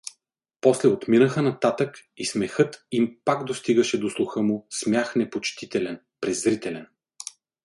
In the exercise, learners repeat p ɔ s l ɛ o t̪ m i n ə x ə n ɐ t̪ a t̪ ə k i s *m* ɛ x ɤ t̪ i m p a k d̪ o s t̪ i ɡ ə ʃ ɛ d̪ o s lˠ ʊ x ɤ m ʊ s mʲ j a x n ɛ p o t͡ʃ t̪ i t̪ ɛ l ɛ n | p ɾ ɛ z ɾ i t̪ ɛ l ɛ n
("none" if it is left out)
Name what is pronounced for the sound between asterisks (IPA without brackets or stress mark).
m